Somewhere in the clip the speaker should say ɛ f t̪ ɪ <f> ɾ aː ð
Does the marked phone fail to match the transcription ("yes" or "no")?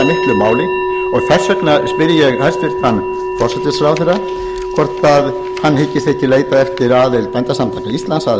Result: yes